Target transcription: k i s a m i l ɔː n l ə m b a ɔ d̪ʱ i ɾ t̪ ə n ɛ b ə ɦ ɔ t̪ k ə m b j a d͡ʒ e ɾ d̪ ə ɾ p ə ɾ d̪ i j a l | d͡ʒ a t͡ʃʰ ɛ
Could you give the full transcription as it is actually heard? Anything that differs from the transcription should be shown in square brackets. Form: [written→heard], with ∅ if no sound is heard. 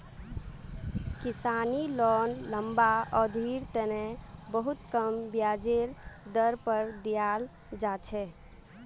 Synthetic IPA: k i s a [m→n] i l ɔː n l ə m b a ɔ d̪ʱ i ɾ t̪ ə n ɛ b ə ɦ [ɔ→u] t̪ k ə m b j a d͡ʒ e ɾ d̪ ə ɾ p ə ɾ d̪ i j a l | d͡ʒ a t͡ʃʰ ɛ